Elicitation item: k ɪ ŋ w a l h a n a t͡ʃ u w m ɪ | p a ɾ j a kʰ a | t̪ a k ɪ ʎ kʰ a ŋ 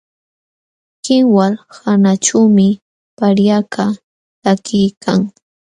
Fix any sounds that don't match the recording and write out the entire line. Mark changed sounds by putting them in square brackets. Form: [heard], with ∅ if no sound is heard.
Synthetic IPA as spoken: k ɪ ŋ w a l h a n a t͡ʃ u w m ɪ | p a ɾ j a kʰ a | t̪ a k ɪ [j] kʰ a ŋ